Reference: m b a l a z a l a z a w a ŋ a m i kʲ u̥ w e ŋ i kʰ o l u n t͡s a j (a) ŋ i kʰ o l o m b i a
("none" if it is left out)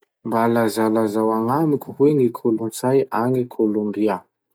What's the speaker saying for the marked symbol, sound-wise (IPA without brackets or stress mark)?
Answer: a